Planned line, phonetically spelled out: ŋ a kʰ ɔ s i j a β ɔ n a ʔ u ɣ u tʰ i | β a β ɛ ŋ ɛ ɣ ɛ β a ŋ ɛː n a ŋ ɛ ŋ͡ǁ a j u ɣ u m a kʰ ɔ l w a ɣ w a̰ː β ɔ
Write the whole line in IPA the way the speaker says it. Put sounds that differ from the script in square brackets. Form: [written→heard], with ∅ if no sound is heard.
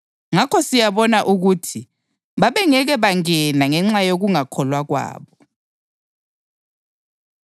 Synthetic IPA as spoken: ŋ a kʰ ɔ s i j a β ɔ n a ʔ u ɣ u tʰ i | β a β ɛ ŋ ɛ ɣ ɛ β a ŋ [ɛː→ɛ] n a ŋ ɛ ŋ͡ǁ a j [u→o] ɣ u [m→ŋ] a kʰ ɔ l w a ɣ w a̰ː β ɔ

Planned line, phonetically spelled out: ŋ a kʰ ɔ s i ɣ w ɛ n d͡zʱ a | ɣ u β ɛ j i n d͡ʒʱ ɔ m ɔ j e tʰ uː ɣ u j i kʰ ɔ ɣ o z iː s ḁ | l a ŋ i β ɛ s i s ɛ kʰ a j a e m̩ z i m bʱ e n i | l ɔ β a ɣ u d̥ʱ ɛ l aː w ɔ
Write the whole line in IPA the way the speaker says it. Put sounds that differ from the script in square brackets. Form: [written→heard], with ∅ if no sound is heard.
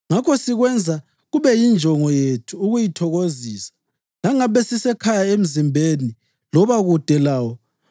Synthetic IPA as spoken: ŋ a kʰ ɔ s i ɣ w ɛ n d͡zʱ a | ɣ u β ɛ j i n d͡ʒʱ ɔ [m→ŋ] ɔ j e tʰ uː ɣ u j i [kʰ→tʰ] ɔ ɣ o z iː s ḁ | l a ŋ [i→a] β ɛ s i s ɛ kʰ a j a e m̩ z i m bʱ e n i | l ɔ β a ɣ u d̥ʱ ɛ l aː w ɔ

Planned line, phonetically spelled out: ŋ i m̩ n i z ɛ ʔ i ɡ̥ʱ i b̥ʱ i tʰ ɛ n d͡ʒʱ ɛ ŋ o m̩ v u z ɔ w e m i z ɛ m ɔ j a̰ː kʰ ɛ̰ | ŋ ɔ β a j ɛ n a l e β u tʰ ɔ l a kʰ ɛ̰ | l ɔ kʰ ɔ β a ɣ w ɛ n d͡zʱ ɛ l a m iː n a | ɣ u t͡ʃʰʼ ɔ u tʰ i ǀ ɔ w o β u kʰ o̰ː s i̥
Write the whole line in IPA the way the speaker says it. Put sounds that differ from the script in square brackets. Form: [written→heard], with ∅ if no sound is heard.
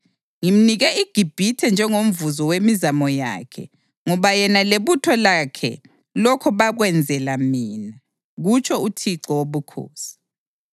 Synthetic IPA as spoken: ŋ i m̩ n i [z→ɣ] ɛ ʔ i ɡ̥ʱ i b̥ʱ i tʰ ɛ n d͡ʒʱ ɛ ŋ o m̩ v u z ɔ w e m i z [ɛ→a] m ɔ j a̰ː kʰ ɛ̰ | ŋ ɔ β a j ɛ n a l e β u tʰ ɔ l a kʰ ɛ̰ | l ɔ kʰ ɔ β a ɣ w ɛ n d͡zʱ ɛ l a m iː n a | ɣ u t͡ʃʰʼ ɔ u tʰ i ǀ ɔ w o β u kʰ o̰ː s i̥

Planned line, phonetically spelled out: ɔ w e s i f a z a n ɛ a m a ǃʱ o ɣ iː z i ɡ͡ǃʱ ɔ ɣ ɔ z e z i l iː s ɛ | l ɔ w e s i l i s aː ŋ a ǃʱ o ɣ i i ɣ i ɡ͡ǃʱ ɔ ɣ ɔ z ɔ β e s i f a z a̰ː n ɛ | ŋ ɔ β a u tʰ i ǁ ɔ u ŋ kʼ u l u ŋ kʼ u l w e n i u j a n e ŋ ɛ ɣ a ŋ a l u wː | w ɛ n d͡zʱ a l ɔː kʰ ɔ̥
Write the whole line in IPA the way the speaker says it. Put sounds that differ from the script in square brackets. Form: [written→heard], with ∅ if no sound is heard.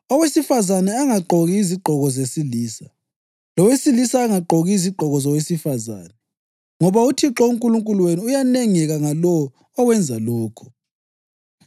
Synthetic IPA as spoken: ɔ w e s i f a z a n ɛ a [m→ŋ] a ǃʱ o ɣ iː z i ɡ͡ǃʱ ɔ ɣ ɔ z e [z→s] i l iː s [ɛ→a] | l ɔ w e s i l i s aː ŋ a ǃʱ o ɣ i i [ɣ→z] i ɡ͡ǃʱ ɔ ɣ ɔ z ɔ [β→w] e s i f a z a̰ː n ɛ | ŋ ɔ β a u tʰ i ǁ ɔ u ŋ kʼ u l u ŋ kʼ u l w e n i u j a n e ŋ ɛ ɣ a ŋ a l [u→ɔ] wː | w ɛ n d͡zʱ a l ɔː kʰ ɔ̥

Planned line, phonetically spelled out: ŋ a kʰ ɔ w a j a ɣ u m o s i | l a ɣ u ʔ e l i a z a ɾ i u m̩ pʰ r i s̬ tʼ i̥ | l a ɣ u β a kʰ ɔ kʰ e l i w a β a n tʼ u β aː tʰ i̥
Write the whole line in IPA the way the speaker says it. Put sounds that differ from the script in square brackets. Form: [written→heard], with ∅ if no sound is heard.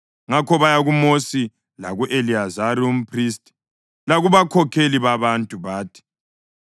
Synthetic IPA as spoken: ŋ a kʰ ɔ [w→β] a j a ɣ u m o s i | l a ɣ u ʔ e l i a z a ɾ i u m̩ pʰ r i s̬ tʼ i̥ | l a ɣ u β a kʰ ɔ kʰ e l i [w→β] a β a n tʼ u β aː tʰ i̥

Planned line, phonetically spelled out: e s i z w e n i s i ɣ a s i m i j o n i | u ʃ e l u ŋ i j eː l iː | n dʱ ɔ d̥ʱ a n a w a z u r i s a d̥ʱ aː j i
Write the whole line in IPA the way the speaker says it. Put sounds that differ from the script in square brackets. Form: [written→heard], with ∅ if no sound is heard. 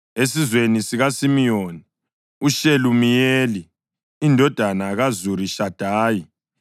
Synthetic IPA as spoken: e s i z w e n i s i ɣ a s i m i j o n i | u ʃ e l u [ŋ→m] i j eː l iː | n dʱ ɔ d̥ʱ a n a [w→ɣ] a z u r i [s→ʃ] a d̥ʱ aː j i

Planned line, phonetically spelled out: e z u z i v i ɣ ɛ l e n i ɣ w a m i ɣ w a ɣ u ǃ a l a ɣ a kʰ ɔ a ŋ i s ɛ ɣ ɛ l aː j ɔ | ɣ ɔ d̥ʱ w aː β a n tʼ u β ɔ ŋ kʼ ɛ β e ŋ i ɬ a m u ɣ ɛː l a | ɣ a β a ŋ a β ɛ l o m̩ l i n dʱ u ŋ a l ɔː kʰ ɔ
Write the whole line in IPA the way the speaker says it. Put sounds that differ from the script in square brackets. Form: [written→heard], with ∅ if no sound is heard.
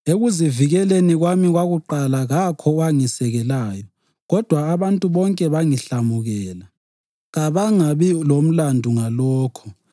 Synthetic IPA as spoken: e [z→ɣ] u z i v i ɣ ɛ l e n i ɣ w a m i ɣ w a ɣ u ǃ a l a ɣ a kʰ ɔ a ŋ i s ɛ ɣ ɛ l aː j ɔ | ɣ ɔ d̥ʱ w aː β a n tʼ u β ɔ ŋ kʼ ɛ β [e→a] ŋ i ɬ a m u ɣ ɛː l a | ɣ a β a ŋ a β [ɛ→i] l o m̩ l [i→a] n dʱ u ŋ a l ɔː kʰ ɔ

